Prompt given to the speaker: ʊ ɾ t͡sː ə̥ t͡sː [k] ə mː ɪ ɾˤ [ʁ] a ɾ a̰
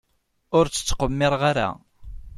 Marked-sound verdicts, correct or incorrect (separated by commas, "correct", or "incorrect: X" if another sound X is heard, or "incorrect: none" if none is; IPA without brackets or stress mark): incorrect: q, correct